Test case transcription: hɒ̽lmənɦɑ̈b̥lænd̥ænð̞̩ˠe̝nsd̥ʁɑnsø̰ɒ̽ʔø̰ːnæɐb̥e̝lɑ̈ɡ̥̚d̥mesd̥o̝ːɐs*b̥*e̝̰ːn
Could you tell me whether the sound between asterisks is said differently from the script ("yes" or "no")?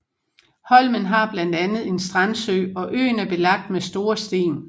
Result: yes